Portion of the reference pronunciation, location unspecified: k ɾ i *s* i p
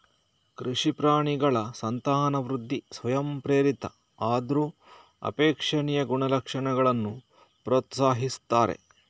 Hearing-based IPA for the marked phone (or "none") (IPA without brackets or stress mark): ʂ